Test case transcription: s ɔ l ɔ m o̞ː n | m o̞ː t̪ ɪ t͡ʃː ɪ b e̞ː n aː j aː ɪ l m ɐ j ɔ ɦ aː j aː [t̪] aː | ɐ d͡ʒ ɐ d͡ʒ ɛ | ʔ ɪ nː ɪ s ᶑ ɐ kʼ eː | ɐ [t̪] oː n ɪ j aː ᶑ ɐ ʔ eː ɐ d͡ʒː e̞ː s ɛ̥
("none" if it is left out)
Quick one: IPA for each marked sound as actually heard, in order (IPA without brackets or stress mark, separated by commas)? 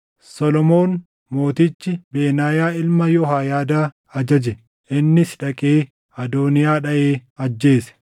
d̪, d̪